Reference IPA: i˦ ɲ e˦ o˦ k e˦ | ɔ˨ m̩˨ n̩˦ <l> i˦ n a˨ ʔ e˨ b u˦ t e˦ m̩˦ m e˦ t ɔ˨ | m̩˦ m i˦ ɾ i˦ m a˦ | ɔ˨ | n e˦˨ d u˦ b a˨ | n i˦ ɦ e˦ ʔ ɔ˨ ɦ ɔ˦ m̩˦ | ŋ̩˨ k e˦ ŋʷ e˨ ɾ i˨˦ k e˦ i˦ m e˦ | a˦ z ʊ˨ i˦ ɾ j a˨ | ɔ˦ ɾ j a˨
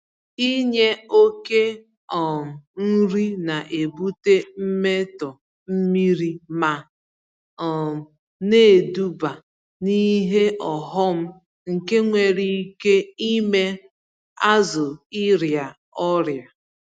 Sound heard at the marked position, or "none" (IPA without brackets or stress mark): ɾ